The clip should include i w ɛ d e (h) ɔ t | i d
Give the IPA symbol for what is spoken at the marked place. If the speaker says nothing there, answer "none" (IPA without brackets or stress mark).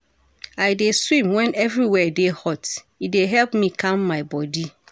h